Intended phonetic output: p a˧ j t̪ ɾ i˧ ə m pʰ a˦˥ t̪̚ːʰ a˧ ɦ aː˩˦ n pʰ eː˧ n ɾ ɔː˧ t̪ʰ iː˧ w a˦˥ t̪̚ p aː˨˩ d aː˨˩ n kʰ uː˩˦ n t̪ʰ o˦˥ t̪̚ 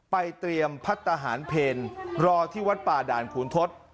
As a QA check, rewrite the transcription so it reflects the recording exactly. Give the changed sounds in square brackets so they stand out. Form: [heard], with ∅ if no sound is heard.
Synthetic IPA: p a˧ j t̪ ɾ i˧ ə m pʰ a˦˥ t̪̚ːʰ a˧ ɦ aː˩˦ n pʰ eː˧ n ɾ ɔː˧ t̪ʰ [iː˥˩] w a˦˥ t̪̚ p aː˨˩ d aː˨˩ n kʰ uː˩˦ n t̪ʰ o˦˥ t̪̚